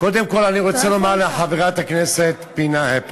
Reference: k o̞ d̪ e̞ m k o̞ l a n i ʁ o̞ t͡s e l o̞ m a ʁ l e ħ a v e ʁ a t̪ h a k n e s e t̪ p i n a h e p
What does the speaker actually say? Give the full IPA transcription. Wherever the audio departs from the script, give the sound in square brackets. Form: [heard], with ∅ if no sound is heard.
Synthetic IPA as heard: k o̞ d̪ e̞ m k o̞ l a n i ʁ o̞ t͡s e l o̞ m a ʁ l e ħ a v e ʁ a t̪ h a k n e s e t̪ p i n a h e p